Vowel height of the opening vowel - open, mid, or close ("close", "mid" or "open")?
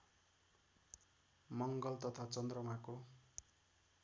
mid